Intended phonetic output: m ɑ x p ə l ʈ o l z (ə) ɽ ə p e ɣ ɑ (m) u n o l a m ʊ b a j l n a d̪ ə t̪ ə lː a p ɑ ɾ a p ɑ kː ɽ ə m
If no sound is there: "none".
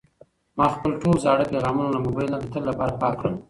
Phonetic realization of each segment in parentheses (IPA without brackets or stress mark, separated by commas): ɑ, m